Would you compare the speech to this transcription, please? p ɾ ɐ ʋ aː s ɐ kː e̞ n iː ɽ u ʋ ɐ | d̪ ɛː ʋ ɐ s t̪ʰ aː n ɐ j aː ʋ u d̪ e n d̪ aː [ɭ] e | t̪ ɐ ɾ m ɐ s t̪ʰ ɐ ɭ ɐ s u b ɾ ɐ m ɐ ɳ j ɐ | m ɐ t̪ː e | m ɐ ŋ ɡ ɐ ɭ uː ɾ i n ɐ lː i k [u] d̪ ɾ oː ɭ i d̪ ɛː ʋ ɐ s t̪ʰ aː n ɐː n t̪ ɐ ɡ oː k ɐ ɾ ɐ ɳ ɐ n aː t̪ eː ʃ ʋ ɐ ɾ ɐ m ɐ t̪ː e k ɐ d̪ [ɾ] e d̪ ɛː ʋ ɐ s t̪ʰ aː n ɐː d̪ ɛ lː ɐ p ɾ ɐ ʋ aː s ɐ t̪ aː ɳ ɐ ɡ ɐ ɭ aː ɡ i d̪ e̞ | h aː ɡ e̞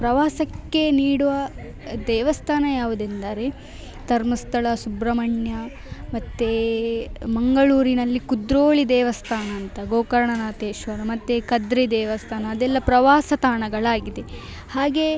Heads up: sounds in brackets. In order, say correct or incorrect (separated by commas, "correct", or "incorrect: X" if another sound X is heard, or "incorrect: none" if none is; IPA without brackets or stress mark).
incorrect: ɾ, correct, correct